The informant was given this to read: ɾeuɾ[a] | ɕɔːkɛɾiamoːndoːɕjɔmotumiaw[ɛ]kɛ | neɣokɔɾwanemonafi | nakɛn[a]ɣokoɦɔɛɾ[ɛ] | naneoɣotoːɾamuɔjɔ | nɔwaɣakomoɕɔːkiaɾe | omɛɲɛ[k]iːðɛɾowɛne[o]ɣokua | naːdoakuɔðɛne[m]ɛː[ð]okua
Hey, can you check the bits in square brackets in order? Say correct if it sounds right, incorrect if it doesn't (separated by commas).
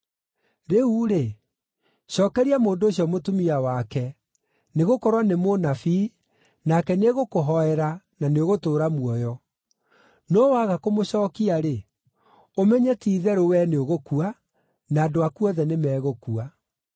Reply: incorrect, incorrect, incorrect, incorrect, incorrect, correct, correct, incorrect